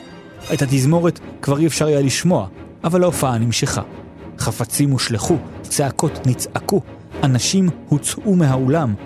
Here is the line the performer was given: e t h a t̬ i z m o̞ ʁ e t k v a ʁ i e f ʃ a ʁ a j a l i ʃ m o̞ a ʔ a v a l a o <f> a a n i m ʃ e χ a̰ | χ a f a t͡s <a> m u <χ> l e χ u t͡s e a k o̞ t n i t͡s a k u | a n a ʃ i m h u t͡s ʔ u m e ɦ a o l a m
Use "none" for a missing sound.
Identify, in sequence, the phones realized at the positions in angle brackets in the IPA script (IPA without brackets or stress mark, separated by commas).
f, i, ʃ